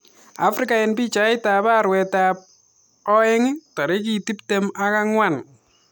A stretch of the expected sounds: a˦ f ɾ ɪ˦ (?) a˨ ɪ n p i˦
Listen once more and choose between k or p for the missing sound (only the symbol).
k